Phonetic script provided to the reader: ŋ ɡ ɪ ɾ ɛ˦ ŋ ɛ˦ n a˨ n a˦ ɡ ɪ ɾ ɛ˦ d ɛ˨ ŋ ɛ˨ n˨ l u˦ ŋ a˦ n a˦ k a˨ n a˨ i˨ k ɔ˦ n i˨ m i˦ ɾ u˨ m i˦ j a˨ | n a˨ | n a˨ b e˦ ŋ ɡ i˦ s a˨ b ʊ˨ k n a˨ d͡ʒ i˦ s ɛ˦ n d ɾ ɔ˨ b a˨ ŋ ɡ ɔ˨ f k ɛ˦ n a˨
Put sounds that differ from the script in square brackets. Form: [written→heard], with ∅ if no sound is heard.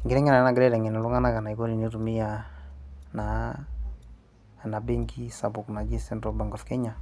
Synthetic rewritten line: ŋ ɡ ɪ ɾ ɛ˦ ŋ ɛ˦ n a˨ n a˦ ɡ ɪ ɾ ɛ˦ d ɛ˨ ŋ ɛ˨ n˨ l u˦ ŋ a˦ n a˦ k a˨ n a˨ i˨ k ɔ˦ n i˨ [m→n] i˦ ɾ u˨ m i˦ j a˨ | n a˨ | n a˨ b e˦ ŋ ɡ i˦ s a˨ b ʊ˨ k n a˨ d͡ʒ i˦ s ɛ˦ n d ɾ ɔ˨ b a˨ ŋ ɡ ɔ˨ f k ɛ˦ [n→ɲ] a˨